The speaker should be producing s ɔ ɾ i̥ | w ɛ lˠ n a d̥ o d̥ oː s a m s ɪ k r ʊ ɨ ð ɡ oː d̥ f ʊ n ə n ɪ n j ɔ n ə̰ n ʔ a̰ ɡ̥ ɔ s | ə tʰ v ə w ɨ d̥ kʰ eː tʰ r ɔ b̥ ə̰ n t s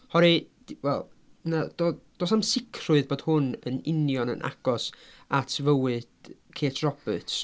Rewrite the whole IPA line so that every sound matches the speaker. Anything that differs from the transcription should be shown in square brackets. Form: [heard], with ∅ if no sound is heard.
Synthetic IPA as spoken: [h] ɔ ɾ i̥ | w ɛ lˠ n a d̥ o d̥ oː s a m s ɪ [kʰ] r ʊ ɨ ð [b] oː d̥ [h] ʊ n ə n ɪ n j ɔ n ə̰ n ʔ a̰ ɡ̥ ɔ s | [a] tʰ v ə w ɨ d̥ kʰ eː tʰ r ɔ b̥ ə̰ [∅] t s